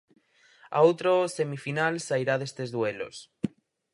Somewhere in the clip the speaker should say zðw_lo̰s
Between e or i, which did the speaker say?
e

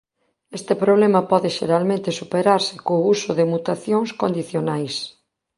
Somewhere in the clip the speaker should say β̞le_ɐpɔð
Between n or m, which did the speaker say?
m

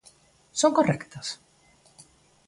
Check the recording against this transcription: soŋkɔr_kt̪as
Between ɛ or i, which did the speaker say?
ɛ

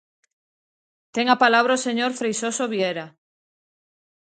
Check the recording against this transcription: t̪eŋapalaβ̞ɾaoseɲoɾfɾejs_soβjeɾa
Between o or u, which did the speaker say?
o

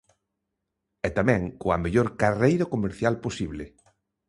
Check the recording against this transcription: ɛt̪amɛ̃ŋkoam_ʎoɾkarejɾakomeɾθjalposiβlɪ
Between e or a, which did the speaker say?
e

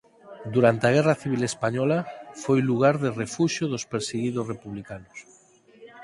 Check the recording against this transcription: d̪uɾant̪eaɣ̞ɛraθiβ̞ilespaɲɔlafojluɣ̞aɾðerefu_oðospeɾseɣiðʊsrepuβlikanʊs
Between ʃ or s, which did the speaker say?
ʃ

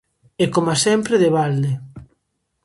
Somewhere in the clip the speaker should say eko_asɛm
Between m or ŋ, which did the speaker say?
m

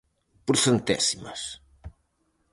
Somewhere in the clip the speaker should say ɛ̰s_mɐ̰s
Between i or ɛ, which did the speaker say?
i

